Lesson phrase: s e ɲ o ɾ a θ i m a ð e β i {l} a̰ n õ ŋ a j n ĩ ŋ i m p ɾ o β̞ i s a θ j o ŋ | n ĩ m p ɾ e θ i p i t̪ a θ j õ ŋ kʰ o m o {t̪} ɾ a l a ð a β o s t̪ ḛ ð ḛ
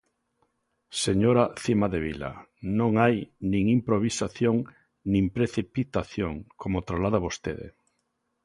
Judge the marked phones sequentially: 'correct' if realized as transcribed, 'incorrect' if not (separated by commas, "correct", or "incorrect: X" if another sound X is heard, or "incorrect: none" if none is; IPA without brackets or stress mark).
correct, correct